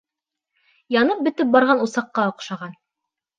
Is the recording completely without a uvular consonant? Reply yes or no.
no